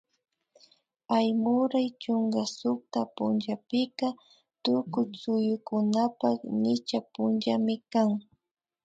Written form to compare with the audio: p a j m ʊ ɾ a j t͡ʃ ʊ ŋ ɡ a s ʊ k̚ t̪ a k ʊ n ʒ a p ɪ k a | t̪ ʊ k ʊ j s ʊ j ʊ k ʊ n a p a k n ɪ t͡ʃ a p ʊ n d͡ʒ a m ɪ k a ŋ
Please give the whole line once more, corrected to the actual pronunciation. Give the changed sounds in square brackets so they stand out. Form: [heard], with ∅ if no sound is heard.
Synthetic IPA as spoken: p a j m ʊ ɾ a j t͡ʃ ʊ ŋ ɡ a s ʊ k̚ t̪ a [p] ʊ n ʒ a p ɪ k a | t̪ ʊ k ʊ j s ʊ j ʊ k ʊ n a p a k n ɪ t͡ʃ a p ʊ n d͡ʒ a m ɪ k a ŋ